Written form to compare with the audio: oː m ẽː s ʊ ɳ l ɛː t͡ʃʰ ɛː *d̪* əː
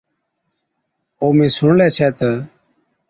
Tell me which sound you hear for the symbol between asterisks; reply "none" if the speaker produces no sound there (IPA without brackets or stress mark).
t̪